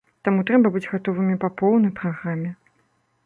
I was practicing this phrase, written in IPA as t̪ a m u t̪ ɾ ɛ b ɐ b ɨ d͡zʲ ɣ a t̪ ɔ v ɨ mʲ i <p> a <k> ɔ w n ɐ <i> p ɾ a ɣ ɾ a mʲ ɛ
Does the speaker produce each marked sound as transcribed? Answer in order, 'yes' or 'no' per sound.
yes, no, no

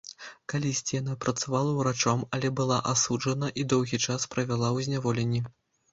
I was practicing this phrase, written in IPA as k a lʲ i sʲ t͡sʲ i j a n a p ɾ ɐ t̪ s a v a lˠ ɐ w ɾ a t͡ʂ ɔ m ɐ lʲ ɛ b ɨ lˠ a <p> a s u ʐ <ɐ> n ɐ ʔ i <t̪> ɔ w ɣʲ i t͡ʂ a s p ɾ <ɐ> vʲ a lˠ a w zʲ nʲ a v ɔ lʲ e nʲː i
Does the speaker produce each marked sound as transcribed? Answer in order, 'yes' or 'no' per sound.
no, yes, no, yes

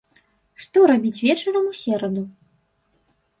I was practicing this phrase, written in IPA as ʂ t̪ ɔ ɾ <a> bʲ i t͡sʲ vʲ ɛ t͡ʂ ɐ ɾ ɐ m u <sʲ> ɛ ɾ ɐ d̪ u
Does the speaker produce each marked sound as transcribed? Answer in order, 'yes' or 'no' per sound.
yes, yes

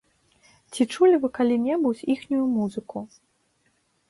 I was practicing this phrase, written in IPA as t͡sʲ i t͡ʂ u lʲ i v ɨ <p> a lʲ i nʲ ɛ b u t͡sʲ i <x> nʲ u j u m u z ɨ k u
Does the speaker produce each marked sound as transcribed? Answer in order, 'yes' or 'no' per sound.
no, yes

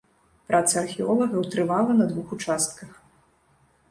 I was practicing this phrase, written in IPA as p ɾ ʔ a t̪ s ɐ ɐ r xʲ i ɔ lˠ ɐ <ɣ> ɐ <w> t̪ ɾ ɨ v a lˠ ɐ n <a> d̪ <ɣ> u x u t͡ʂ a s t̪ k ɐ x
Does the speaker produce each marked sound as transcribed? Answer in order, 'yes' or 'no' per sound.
yes, yes, no, no

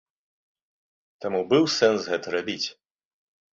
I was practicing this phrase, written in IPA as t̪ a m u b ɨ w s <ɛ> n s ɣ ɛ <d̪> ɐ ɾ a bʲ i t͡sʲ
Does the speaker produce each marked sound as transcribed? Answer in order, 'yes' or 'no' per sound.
yes, no

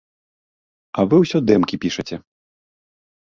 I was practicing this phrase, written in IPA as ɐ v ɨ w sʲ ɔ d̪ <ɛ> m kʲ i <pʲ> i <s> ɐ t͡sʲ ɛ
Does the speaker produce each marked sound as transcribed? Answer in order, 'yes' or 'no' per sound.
yes, yes, no

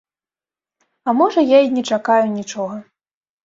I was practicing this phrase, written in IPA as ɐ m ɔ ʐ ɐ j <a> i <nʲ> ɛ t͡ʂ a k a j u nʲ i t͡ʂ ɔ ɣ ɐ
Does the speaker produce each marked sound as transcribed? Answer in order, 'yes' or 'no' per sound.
yes, yes

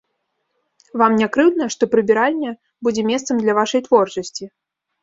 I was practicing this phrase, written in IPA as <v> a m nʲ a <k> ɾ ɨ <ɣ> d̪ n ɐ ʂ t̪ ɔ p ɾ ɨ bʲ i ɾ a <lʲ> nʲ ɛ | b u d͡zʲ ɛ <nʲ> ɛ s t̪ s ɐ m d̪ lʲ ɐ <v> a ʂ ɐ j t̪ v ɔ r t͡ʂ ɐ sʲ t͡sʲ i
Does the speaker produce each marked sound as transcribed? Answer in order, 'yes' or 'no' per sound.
yes, yes, no, yes, no, yes

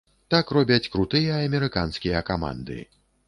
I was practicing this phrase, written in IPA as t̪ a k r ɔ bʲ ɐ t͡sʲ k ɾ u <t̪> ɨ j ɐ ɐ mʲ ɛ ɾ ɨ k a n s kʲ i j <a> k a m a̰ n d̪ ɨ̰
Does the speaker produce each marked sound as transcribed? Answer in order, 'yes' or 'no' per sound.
yes, no

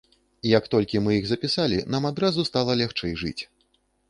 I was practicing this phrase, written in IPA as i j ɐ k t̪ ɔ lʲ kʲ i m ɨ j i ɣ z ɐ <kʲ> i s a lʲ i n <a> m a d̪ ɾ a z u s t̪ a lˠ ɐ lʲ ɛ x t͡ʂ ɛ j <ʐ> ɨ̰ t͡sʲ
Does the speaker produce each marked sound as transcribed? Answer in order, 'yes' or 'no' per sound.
no, yes, yes

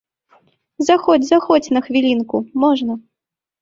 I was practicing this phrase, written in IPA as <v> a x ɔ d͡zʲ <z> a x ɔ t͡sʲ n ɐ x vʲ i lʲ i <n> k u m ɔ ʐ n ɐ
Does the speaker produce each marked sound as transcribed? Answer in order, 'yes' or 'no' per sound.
no, yes, yes

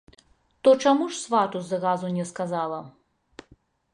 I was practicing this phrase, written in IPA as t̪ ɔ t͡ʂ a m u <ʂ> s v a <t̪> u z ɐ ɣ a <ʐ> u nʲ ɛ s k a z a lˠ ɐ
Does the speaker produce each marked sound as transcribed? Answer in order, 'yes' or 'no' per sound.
yes, yes, no

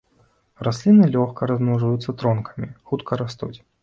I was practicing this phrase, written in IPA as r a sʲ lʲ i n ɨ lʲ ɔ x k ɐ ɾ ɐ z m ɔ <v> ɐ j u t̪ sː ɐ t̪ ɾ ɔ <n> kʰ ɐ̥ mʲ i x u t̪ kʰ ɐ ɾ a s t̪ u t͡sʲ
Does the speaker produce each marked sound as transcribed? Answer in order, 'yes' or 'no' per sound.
no, yes

